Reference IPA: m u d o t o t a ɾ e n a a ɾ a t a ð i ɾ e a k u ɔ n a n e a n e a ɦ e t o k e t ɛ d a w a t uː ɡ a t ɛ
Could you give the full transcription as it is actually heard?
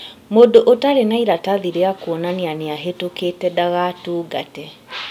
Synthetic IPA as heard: m o d o ʔ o t a ɾ e n a i ɾ a t a ð i ɾ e a k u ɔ n a n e a n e a ɦ e t o k e t ɛ d a ɣ a t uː ɡ a t ɛ